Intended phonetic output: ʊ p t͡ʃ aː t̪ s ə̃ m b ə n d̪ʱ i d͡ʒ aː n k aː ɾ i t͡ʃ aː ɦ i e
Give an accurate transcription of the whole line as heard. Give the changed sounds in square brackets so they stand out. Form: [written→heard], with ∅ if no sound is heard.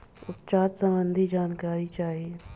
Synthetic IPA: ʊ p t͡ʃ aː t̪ s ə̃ m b ə n d̪ʱ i d͡ʒ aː n k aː ɾ i t͡ʃ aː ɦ i e